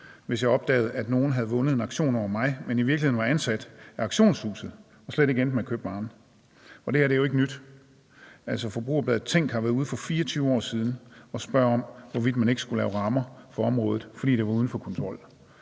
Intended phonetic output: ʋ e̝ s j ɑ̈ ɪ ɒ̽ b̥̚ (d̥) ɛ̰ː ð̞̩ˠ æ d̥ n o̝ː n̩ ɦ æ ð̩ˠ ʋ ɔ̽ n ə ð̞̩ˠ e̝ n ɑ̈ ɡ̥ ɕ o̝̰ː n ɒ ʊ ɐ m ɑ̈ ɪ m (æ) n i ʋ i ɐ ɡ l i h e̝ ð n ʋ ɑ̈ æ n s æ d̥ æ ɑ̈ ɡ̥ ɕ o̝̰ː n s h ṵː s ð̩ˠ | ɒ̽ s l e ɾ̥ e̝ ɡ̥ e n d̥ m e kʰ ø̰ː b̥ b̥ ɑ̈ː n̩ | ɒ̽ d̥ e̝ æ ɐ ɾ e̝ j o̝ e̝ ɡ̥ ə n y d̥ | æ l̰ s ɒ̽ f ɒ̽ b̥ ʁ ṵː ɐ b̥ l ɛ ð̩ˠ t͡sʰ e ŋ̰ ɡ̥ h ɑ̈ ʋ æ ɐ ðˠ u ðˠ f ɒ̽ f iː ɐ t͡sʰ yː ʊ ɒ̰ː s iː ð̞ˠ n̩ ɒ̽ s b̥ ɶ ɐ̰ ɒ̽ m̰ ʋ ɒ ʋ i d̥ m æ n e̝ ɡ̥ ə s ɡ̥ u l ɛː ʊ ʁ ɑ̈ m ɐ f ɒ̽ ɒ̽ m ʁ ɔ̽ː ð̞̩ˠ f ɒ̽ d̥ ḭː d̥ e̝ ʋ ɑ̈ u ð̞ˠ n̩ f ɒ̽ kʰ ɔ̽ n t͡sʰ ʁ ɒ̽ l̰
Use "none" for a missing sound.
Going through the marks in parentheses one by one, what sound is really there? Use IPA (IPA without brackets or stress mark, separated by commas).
d̥, e